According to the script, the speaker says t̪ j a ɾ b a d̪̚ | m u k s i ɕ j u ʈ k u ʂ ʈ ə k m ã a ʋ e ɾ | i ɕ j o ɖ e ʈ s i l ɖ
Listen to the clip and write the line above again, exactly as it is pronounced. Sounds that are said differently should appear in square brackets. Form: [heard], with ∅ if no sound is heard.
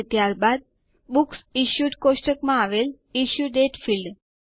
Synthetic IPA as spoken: t̪ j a ɾ b a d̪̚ | [b] u k s i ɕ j u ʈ k [o] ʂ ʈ ə k m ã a ʋ e [l] | i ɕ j [u] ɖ e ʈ [f] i l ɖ

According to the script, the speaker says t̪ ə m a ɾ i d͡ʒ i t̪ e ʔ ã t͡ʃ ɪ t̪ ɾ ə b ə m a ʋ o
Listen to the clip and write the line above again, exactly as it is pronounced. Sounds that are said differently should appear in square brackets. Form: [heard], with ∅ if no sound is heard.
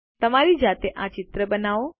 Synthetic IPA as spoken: t̪ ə m a ɾ i d͡ʒ [a] t̪ e ʔ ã t͡ʃ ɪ t̪ ɾ ə b ə [n] a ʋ o

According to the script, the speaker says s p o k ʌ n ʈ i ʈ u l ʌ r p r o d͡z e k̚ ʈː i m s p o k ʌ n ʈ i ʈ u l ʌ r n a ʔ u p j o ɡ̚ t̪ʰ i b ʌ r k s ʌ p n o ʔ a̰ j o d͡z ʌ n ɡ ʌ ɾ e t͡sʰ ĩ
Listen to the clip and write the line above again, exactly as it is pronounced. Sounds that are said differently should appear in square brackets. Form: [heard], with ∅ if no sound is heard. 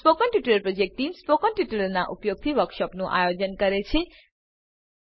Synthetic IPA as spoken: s p o k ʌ n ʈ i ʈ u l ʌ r p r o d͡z e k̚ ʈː i m s p o k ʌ n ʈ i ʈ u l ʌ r n a ʔ u p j o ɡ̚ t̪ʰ i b ʌ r k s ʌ p n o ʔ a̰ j o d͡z ʌ n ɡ ʌ ɾ e t͡sʰ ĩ

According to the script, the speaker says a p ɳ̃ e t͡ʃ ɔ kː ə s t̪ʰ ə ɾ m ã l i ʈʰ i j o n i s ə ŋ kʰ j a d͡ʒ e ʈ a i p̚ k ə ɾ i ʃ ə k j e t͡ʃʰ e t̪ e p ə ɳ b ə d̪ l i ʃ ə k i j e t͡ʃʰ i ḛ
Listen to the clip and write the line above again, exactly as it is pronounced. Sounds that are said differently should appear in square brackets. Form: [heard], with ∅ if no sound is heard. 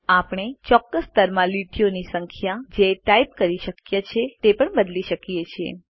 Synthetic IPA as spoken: a p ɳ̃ e t͡ʃ ɔ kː ə s [t̪] ə ɾ m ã l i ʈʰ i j o n i s ə ŋ kʰ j a d͡ʒ e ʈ a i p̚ k ə ɾ i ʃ ə k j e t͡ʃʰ e t̪ e p ə ɳ b ə d̪ l i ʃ ə k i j e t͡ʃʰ i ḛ

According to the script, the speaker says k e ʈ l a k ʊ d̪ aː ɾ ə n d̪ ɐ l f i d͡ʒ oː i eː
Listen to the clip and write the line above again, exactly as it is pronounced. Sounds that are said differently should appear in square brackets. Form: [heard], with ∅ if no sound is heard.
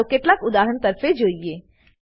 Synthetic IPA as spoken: k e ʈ l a k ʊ d̪ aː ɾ ə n [t̪] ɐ [ɾ] f [e] d͡ʒ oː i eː

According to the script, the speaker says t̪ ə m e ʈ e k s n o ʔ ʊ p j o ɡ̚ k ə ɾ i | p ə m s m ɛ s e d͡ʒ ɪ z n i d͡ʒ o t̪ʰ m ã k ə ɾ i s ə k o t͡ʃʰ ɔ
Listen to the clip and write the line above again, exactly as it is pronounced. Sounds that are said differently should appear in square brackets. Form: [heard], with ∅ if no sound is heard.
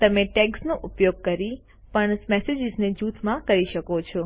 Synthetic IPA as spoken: t̪ ə m e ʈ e k s n o ʔ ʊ p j o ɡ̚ k ə ɾ i | p ə [ɳ] s m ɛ s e d͡ʒ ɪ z n [e] d͡ʒ [u] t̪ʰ m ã k ə ɾ i [ʃ] ə k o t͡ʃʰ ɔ

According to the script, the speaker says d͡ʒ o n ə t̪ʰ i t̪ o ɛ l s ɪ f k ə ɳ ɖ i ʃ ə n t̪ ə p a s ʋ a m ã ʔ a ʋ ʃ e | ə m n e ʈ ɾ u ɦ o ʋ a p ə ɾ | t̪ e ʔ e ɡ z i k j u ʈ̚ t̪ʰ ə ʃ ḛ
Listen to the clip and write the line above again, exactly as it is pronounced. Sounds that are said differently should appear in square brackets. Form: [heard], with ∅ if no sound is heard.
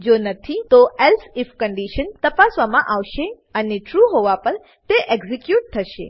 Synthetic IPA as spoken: d͡ʒ o n ə t̪ʰ i t̪ o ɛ l s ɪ f k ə ɳ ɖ i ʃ ə n t̪ ə p a s ʋ a m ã ʔ a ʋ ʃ e | ə [∅] n e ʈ ɾ u ɦ o ʋ a p ə ɾ | t̪ e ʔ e ɡ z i k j u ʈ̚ t̪ʰ ə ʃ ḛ

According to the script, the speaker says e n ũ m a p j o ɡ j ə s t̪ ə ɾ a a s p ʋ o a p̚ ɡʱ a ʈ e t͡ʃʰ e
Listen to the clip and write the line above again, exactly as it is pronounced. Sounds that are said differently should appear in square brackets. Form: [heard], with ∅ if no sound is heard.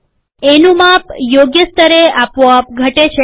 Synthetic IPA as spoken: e n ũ m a p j o ɡ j ə s t̪ ə ɾ [e] a [∅] p ʋ o a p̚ ɡʱ [ə] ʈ e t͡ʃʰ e

